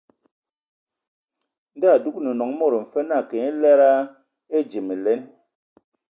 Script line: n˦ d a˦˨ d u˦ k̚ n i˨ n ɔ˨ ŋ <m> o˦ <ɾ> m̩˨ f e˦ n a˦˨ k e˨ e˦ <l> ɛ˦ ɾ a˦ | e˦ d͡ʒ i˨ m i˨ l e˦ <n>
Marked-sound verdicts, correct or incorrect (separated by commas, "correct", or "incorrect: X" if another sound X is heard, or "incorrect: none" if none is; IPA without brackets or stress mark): correct, correct, correct, correct